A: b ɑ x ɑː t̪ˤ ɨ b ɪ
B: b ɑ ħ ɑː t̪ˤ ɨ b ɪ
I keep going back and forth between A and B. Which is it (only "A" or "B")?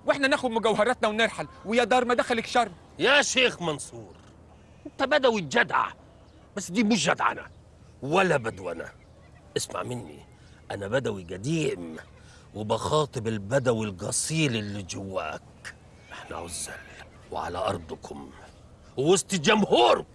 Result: A